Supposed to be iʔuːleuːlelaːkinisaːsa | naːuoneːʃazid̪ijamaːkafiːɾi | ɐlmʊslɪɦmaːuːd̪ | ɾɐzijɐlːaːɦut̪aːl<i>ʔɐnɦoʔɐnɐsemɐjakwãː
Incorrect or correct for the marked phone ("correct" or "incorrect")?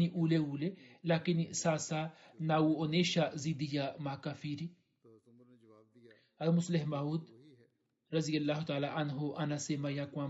incorrect